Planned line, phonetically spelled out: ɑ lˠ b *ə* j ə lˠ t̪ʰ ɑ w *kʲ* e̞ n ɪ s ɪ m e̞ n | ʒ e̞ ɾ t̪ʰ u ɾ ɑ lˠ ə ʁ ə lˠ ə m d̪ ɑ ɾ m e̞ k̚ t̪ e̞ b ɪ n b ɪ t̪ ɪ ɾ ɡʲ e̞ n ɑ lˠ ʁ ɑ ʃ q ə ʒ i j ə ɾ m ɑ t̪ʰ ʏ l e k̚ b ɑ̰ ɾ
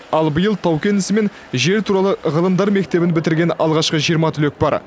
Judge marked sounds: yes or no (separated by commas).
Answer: yes, yes